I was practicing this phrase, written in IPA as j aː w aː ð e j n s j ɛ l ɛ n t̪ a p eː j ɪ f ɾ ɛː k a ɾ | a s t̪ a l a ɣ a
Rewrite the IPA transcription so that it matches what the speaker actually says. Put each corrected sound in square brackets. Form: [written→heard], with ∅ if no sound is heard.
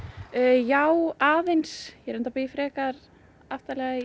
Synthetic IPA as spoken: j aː w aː ð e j n s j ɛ [l→ɾ] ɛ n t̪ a p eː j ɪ f ɾ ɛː k a ɾ | a [s→f] t̪ a l [a→ɛ] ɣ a